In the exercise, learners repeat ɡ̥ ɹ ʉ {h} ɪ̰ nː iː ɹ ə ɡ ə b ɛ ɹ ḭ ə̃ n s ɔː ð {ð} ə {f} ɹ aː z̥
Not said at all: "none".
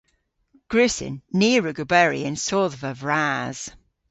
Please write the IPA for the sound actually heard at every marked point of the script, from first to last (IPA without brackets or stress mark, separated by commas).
s, v, v